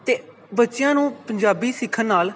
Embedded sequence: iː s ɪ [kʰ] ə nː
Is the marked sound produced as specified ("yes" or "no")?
yes